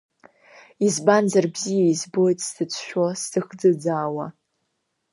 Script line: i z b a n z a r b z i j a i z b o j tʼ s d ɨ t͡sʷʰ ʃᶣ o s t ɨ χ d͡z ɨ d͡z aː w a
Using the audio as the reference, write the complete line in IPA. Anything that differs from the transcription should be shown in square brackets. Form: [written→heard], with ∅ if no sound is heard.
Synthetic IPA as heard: i z b a n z a r b z i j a i z b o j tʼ s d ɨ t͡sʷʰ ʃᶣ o s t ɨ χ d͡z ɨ d͡z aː w a